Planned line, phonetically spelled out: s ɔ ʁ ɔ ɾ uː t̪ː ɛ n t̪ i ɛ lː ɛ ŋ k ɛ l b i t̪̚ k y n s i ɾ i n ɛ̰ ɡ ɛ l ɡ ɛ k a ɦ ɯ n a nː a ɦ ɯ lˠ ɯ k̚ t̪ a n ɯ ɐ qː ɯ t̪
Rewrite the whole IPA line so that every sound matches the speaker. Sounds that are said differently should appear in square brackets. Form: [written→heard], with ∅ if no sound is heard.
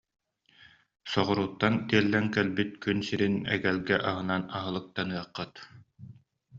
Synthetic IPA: s ɔ ʁ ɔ ɾ uː t̪ː [ɛ→a] n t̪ i ɛ lː ɛ ŋ k ɛ l b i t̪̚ k y n s i ɾ i n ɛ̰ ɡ ɛ l ɡ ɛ [k→ʔ] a ɦ ɯ n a [nː→n] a ɦ ɯ lˠ ɯ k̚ t̪ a n ɯ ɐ qː ɯ t̪

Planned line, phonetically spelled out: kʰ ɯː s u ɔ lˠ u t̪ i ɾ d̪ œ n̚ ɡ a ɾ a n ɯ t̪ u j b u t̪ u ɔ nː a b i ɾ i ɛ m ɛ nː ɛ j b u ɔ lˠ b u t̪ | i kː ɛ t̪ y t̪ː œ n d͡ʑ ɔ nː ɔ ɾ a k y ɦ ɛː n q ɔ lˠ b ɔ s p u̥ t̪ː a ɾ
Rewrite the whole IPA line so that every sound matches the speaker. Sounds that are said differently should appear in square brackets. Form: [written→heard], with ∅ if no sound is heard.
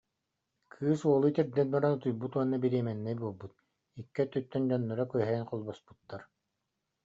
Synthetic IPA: kʰ ɯː s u ɔ lˠ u t̪ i ɾ d̪ [œ→ɛ] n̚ [ɡ→b] a ɾ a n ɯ t̪ u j b u t̪ u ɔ nː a b i ɾ i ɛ m ɛ nː ɛ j b u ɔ lˠ b u t̪ | i kː ɛ t̪ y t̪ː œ n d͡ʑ ɔ nː ɔ ɾ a k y ɦ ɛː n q ɔ lˠ b ɔ s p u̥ t̪ː a ɾ

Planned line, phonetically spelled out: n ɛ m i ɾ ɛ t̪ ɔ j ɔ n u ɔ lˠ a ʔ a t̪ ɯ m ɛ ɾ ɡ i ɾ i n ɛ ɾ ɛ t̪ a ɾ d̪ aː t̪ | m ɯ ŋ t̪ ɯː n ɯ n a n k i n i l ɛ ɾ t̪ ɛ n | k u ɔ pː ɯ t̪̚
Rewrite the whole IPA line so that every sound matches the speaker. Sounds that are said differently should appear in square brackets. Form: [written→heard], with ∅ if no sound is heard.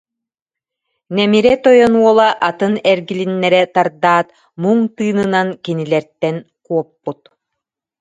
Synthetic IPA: n ɛ m i ɾ ɛ t̪ ɔ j ɔ n u ɔ lˠ a ʔ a t̪ ɯ [m→n] ɛ ɾ ɡ i [ɾ→l] i [n→nː] ɛ ɾ ɛ t̪ a ɾ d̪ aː t̪ | m [ɯ→u] ŋ t̪ ɯː n ɯ n a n k i n i l ɛ ɾ t̪ ɛ n | k u ɔ pː [ɯ→u] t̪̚

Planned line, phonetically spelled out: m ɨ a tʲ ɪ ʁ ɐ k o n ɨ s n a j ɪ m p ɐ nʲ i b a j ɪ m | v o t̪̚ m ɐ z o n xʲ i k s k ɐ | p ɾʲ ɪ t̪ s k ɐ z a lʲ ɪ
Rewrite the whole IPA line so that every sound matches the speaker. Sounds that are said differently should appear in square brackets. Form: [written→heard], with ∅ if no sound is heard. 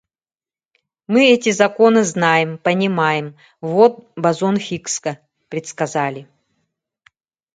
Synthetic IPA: m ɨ [a→ɛ] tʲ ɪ [ʁ→z] ɐ k o n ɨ [s→z] n a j ɪ m p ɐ nʲ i [b→m] a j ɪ m | v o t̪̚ [m→b] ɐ z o n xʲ i k s k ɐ | p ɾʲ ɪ t̪ s k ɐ z a lʲ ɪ

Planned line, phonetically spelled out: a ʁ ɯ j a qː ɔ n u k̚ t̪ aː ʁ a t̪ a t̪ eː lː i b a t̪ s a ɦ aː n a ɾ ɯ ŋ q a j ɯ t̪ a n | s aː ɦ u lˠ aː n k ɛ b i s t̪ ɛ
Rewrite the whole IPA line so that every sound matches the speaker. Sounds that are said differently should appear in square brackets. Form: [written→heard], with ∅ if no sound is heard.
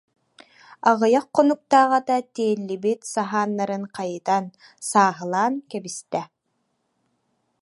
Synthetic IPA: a ʁ ɯ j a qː ɔ n u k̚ t̪ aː ʁ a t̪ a t̪ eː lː i b [a→i] t̪ s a ɦ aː [n→nː] a ɾ ɯ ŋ q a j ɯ t̪ a n | s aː ɦ [u→ɯ] lˠ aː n k ɛ b i s t̪ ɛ

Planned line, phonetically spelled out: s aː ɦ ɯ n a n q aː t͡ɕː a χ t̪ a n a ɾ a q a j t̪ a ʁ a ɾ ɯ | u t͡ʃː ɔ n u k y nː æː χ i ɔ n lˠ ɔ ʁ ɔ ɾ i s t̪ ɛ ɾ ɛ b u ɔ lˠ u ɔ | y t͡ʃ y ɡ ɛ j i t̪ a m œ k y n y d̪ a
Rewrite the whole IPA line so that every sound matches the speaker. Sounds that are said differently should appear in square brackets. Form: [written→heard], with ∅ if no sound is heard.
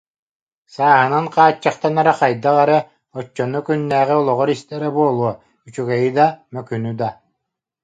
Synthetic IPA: s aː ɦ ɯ n a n q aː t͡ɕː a χ t̪ a n a ɾ a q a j [t̪→d̪] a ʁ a ɾ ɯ | [u→ɔ] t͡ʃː ɔ n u k y nː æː [χ→ʁ] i ɔ [n→∅] lˠ ɔ ʁ ɔ ɾ i s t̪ ɛ ɾ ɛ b u ɔ lˠ u ɔ | y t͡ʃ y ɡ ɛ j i [t̪→d̪] a m œ k y n y d̪ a

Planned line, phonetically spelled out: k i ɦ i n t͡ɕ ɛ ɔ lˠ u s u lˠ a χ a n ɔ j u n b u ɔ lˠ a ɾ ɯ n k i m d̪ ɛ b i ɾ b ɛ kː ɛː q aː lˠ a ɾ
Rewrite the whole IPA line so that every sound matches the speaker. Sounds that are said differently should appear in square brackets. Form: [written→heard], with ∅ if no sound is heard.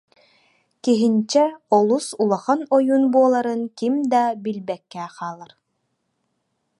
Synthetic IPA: k i ɦ i n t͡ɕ ɛ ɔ lˠ u s u lˠ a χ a n ɔ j u n b u ɔ lˠ a ɾ ɯ n k i m d̪ [ɛ→a] b i [ɾ→l] b ɛ kː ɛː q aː lˠ a ɾ

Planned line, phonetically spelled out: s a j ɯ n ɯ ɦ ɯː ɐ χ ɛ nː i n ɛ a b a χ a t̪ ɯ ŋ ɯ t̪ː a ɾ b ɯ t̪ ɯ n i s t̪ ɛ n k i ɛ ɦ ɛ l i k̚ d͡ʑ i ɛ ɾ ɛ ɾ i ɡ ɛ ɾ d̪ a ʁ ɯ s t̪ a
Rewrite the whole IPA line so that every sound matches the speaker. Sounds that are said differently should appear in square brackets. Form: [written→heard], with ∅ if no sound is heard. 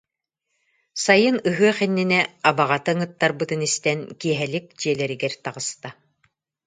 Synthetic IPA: s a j ɯ n ɯ ɦ [ɯː→ɯ] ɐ χ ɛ nː i n ɛ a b a [χ→ʁ] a t̪ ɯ ŋ ɯ t̪ː a ɾ b ɯ t̪ ɯ n i s t̪ ɛ n k i ɛ ɦ ɛ l i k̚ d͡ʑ i ɛ [ɾ→l] ɛ ɾ i ɡ ɛ ɾ [d̪→t̪] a ʁ ɯ s t̪ a

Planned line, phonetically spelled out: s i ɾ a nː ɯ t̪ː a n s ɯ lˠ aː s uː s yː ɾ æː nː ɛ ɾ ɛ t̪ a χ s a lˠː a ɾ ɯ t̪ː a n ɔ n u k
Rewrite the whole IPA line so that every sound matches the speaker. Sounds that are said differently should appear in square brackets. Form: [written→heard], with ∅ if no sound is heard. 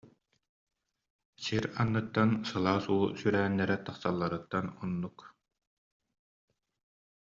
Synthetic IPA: s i ɾ a nː ɯ t̪ː a n s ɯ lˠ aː s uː s [yː→y] ɾ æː nː ɛ ɾ ɛ t̪ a χ s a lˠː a ɾ ɯ t̪ː a n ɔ [n→nː] u k

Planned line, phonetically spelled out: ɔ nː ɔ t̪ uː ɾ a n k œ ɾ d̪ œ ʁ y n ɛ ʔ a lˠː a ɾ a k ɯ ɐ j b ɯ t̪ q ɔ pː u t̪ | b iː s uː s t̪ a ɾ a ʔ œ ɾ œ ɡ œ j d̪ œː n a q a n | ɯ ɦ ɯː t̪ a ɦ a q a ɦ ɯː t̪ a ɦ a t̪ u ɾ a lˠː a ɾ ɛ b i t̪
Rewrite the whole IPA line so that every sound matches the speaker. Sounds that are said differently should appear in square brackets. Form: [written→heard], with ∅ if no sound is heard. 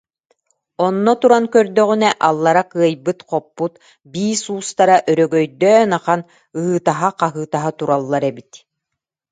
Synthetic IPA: ɔ nː ɔ t̪ [uː→u] ɾ a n k œ ɾ d̪ œ ʁ y n ɛ ʔ a lˠː a ɾ a k ɯ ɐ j b ɯ t̪ q ɔ pː u t̪ | b iː s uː s t̪ a ɾ a ʔ œ ɾ œ ɡ œ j d̪ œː n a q a n | ɯ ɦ ɯː t̪ a ɦ a q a ɦ ɯː t̪ a ɦ a t̪ u ɾ a lˠː a ɾ ɛ b i t̪

